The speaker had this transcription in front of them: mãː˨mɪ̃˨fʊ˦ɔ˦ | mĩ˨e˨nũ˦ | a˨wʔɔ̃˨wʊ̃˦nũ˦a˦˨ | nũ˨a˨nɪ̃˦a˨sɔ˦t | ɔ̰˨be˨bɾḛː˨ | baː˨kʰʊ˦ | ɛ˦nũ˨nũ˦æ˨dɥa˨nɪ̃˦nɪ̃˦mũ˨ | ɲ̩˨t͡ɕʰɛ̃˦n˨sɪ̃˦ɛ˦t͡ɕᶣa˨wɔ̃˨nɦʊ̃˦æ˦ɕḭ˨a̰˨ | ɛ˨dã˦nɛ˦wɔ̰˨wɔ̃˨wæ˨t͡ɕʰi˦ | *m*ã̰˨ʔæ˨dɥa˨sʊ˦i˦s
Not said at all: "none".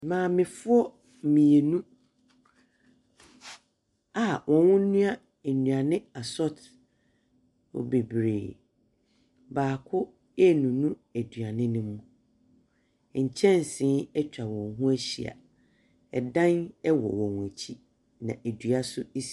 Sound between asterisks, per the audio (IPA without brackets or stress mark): n